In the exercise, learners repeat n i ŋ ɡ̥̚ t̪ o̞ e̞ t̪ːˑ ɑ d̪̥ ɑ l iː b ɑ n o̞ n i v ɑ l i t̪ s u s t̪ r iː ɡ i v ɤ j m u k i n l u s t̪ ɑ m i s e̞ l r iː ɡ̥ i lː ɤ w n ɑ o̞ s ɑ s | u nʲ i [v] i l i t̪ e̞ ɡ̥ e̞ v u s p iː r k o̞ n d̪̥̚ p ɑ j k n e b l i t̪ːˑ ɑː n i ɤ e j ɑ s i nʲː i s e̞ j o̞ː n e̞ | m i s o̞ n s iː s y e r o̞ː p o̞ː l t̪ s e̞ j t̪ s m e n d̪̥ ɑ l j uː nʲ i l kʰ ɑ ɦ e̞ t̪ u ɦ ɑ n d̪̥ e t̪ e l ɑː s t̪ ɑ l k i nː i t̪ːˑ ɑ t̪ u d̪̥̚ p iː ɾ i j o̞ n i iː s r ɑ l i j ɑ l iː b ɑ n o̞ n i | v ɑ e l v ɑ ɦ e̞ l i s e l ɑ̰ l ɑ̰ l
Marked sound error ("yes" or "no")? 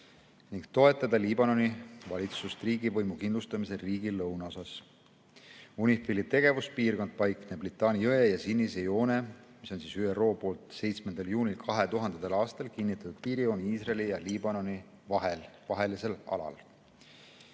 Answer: yes